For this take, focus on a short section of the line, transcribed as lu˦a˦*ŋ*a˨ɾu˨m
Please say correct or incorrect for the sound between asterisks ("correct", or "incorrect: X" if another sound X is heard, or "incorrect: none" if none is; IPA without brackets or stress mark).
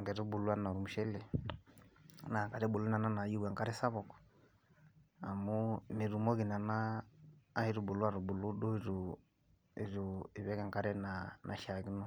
incorrect: n